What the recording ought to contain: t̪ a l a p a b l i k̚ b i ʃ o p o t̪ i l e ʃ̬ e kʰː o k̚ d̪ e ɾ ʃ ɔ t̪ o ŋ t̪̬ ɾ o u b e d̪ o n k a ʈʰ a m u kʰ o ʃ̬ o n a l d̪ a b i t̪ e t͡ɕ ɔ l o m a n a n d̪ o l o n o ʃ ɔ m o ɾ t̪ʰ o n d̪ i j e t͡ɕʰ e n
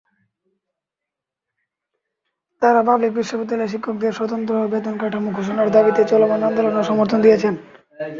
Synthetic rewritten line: t̪ a ɾ a p a b l i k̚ b i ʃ o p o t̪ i l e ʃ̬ i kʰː o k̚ d̪ e ɾ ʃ ɔ t̪ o n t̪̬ ɾ o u b e d̪ o n k a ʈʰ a m u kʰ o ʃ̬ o n a ɾ d̪ a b i t̪ e t͡ɕ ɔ l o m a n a n d̪ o l o n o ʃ ɔ m o ɾ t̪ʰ o n d̪ i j e t͡ɕʰ e n

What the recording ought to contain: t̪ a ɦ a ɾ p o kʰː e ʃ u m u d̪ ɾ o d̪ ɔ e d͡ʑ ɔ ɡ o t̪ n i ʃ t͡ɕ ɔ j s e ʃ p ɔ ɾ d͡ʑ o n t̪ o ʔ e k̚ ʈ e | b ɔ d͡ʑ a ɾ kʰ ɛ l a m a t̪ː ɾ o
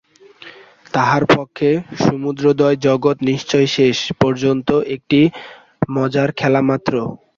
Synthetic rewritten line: t̪ a ɦ a ɾ p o kʰː e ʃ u m u d̪ ɾ o d̪ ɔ e d͡ʑ ɔ ɡ o t̪ n i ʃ t͡ɕ ɔ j ʃ e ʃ p ɔ ɾ d͡ʑ o n t̪ o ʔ e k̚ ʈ i | m ɔ d͡ʑ a ɾ kʰ ɛ l a m a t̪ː ɾ o

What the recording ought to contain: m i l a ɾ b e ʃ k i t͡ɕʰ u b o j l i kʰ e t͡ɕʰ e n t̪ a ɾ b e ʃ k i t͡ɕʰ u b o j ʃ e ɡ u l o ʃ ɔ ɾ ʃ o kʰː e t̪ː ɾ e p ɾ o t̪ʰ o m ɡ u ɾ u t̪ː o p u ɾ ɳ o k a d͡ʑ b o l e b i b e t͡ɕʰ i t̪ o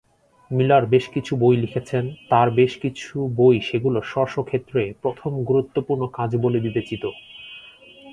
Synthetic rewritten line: m i l a ɾ b e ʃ k i t͡ɕʰ u b o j l i kʰ e t͡ɕʰ e n t̪ a ɾ b e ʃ k i t͡ɕʰ u b o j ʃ e ɡ u l o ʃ ɔ ɾ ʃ o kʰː e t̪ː ɾ e p ɾ o t̪ʰ o m ɡ u ɾ u t̪ː o p u ɾ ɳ o k a d͡ʑ b o l e b i b e t͡ɕ i t̪ o

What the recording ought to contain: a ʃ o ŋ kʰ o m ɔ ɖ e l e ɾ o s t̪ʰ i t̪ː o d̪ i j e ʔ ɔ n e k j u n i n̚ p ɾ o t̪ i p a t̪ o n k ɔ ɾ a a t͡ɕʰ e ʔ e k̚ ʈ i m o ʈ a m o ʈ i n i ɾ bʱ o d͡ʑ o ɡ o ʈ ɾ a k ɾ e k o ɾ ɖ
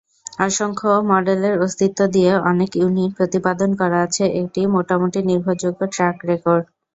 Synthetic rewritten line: a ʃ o ŋ kʰ o m ɔ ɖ e l e ɾ o s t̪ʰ i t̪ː o d̪ i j e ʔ ɔ n e k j u n i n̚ p ɾ o t̪ i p a d̪ o n k ɔ ɾ a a t͡ɕʰ e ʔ e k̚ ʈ i m o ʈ a m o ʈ i n i ɾ bʱ o d͡ʑ o ɡ o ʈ ɾ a k ɾ e k o ɾ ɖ

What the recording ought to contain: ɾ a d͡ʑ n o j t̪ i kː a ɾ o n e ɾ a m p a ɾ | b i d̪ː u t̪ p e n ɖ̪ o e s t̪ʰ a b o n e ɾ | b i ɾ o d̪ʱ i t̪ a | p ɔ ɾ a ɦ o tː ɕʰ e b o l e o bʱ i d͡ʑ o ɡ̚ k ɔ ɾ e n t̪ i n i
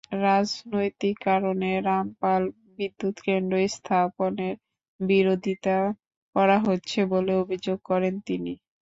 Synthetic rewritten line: ɾ a d͡ʑ n o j t̪ i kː a ɾ o n e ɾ a m p a l | b i d̪ː u t̪ k e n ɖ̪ o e s t̪ʰ a p o n e ɾ | b i ɾ o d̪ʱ i t̪ a | k ɔ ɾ a ɦ o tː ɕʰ e b o l e o bʱ i d͡ʑ o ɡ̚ k ɔ ɾ e n t̪ i n i

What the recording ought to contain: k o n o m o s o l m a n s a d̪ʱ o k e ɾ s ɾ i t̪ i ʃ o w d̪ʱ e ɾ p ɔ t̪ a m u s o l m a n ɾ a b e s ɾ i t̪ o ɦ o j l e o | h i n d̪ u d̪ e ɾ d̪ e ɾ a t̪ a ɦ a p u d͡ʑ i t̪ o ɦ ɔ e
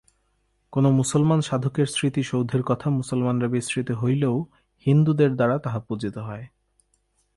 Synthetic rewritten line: k o n o m u s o l m a n ʃ a d̪ʱ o k e ɾ s ɾ i t̪ i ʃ o w d̪ʱ e ɾ k ɔ t̪ʰ a m u s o l m a n ɾ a b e s ɾ i t̪ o ɦ o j l e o | h i n d̪ u d̪ e ɾ d̪ a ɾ a t̪ a ɦ a p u d͡ʑ i t̪ o ɦ ɔ e

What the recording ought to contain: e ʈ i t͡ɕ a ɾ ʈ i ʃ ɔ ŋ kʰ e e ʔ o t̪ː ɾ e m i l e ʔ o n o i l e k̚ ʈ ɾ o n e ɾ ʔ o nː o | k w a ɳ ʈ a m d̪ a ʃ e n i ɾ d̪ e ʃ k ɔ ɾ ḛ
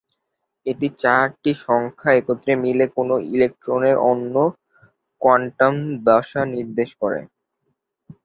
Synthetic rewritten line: e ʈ i t͡ɕ a ɾ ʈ i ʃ ɔ ŋ kʰ a e k o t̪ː ɾ e m i l e k o n o i l e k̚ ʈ ɾ o n e ɾ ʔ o nː o | k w a ɳ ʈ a m d̪ a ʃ a n i ɾ d̪ e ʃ k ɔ ɾ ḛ

